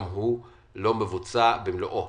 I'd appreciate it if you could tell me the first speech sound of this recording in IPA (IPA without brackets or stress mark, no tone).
m